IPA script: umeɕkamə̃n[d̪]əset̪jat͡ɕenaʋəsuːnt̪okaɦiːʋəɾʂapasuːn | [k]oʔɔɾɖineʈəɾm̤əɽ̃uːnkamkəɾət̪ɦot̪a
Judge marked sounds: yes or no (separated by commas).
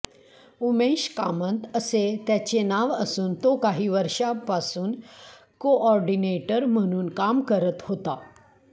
no, yes